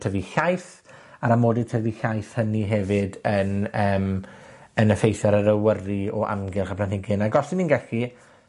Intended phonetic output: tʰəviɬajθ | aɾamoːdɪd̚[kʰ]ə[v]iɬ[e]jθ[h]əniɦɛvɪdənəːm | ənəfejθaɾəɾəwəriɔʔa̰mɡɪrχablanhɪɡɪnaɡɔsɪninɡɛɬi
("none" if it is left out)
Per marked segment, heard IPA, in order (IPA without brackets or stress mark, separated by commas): tʰ, v, a, h